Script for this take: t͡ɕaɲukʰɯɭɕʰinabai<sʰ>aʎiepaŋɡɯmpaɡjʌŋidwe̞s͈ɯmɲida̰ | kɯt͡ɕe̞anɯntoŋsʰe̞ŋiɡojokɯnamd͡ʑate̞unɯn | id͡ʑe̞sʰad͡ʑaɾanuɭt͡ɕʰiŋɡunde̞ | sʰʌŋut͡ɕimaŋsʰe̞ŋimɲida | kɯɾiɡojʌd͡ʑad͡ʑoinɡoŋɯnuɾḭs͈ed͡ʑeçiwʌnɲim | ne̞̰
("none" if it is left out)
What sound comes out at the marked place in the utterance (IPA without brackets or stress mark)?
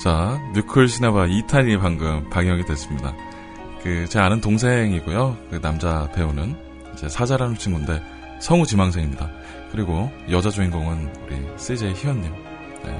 tʰ